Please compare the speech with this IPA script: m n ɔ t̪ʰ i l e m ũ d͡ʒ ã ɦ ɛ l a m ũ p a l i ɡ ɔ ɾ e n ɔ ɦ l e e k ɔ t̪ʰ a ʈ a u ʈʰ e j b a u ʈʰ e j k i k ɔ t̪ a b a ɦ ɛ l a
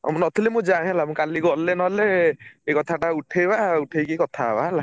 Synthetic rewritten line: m n ɔ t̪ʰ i l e m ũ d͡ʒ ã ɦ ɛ l a m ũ k a l i ɡ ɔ l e n ɔ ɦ l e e k ɔ t̪ʰ a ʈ a u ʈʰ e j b a u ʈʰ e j k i k ɔ t̪ʰ a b a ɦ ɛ l a